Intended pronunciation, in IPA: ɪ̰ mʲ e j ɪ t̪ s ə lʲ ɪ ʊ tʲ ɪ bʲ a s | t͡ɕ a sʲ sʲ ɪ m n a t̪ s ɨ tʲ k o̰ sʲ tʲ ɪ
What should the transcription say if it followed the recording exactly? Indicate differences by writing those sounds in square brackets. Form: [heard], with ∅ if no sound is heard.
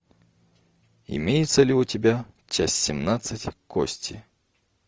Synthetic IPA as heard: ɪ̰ mʲ e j ɪ t̪ s ə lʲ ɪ ʊ tʲ ɪ bʲ a [∅] | t͡ɕ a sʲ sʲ ɪ m n a t̪ s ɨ tʲ k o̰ sʲ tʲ ɪ